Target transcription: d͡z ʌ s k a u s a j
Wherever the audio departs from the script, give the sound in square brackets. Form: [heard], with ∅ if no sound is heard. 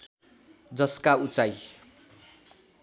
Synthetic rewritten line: d͡z ʌ s k a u [t͡s] a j